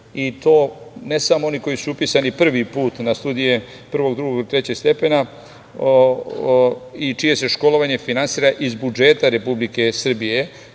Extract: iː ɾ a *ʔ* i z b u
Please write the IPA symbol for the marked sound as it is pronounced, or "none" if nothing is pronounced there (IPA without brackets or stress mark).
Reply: ʔ